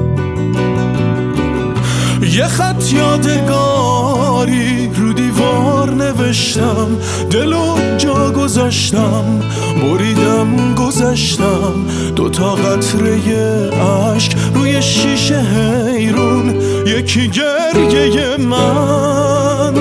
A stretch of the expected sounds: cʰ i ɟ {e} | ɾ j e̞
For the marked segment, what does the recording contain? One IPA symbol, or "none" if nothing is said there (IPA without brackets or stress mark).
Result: e